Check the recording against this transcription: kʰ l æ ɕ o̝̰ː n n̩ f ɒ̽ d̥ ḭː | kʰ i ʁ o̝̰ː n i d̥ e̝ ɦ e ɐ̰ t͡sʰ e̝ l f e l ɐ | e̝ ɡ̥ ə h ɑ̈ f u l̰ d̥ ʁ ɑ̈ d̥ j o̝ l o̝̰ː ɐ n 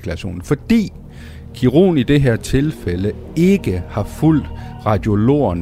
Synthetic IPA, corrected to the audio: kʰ l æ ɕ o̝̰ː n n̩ f ɒ̽ d̥ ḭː | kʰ i ʁ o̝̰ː n i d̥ e̝ ɦ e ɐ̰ t͡sʰ e̝ l f e l ə | e̝ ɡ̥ ə h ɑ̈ f u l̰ d̥ ʁ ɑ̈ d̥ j o̝ l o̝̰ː ɐ n